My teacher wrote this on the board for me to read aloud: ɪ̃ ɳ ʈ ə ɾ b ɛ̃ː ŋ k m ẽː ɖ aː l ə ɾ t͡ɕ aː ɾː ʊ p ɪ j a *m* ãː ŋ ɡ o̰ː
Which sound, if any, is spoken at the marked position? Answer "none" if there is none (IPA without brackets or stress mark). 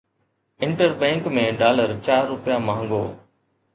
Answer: m